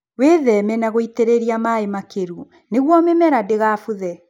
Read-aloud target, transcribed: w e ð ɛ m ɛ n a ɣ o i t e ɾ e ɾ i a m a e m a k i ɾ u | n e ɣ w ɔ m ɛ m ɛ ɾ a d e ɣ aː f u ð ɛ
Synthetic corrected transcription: w e ð ɛ m ɛ n a ɣ o i t e ɾ e ɾ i a m a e m a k e ɾ u | n e ɣ w ɔ m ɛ m ɛ ɾ a d e ɣ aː f u ð ɛ